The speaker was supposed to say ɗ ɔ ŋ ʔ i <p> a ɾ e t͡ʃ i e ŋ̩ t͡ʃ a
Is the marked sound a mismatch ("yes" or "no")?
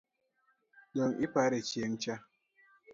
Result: no